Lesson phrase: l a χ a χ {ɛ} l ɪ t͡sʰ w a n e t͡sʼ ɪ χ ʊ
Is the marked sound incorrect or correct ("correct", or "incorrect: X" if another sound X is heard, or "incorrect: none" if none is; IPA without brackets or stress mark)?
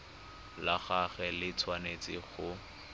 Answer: correct